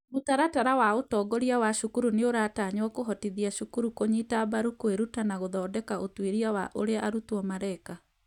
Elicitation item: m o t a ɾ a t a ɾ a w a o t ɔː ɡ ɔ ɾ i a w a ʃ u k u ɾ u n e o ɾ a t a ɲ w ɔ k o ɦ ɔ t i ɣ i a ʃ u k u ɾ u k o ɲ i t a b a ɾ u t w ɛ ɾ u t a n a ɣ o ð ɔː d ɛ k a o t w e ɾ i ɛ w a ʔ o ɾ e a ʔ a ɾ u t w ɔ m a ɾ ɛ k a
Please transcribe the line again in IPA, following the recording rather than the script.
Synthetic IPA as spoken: m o t a ɾ a t a ɾ a w a o t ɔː ɡ ɔ ɾ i a w a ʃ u k u ɾ u n e o ɾ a t a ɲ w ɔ k o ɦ ɔ t i ð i a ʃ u k u ɾ u k o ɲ i t a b a ɾ u k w e ɾ u t a n a ɣ o ð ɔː d ɛ k a o t w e ɾ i a w a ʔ o ɾ e a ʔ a ɾ u t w ɔ m a ɾ ɛ k a